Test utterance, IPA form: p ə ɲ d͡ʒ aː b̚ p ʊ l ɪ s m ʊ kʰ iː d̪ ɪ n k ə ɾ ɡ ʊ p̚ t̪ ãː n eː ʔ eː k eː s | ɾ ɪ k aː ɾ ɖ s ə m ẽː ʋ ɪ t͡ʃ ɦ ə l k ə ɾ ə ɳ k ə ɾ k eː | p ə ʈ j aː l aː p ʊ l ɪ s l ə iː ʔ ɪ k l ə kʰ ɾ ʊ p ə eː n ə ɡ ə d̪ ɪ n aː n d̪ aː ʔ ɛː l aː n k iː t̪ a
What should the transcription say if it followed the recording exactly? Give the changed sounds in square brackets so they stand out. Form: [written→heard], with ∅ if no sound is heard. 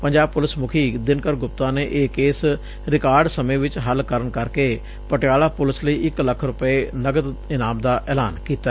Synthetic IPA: p ə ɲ d͡ʒ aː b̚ p ʊ l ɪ s m ʊ kʰ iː d̪ ɪ n k ə ɾ ɡ ʊ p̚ t̪ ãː n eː ʔ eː k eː s | ɾ ɪ k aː ɾ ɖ s ə m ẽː ʋ ɪ t͡ʃ ɦ ə l k ə ɾ ə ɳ k ə ɾ k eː | p ə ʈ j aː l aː p ʊ l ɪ s l ə iː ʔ ɪ k l ə kʰ ɾ ʊ p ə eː n ə ɡ ə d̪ ɪ n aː [n→m] d̪ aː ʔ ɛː l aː n k iː t̪ a